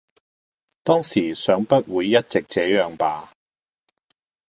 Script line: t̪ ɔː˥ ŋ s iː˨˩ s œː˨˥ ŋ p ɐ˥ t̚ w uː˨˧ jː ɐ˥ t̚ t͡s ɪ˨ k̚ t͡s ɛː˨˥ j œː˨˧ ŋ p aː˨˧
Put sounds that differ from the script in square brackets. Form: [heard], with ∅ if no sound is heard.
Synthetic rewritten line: t̪ ɔː˥ ŋ s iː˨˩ s œː˨˥ ŋ p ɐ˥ t̚ w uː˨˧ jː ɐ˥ t̚ t͡s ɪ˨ k̚ t͡s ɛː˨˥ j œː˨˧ ŋ p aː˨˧